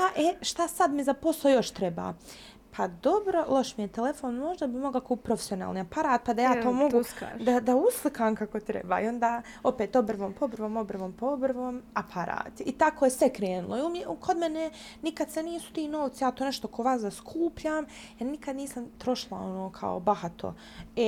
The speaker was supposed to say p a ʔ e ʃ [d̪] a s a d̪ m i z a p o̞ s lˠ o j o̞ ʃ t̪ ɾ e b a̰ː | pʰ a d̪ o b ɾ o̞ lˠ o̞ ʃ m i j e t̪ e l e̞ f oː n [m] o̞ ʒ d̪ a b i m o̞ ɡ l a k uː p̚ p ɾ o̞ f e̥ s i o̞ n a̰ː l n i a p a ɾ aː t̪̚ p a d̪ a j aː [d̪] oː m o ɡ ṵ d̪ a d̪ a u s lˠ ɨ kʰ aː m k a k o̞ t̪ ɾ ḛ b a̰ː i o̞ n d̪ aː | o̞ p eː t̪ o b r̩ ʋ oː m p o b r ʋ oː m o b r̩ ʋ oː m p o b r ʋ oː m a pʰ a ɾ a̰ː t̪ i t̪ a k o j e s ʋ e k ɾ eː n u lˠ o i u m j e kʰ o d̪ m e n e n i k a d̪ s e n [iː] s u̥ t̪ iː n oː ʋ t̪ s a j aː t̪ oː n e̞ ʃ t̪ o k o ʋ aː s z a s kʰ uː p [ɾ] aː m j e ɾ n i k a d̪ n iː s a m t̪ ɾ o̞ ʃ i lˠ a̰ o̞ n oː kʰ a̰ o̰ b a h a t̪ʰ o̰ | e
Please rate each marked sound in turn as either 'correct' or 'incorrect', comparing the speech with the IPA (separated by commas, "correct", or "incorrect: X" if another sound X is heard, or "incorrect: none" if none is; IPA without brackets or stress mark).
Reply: incorrect: t̪, correct, incorrect: t̪, correct, incorrect: ʎ